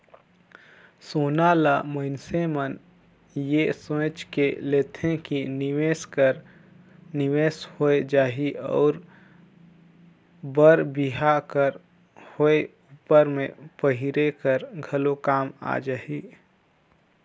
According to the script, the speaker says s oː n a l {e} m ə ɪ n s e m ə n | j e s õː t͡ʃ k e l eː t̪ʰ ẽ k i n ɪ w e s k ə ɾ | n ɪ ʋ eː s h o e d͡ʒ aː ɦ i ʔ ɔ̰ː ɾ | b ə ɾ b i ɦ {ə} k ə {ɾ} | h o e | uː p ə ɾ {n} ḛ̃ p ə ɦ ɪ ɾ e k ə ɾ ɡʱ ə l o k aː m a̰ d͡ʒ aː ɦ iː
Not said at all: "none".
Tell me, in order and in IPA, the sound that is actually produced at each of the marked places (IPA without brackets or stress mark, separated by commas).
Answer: a, a, ɾ, m